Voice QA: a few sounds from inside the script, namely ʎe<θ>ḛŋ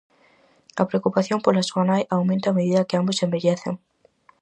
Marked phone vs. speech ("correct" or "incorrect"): correct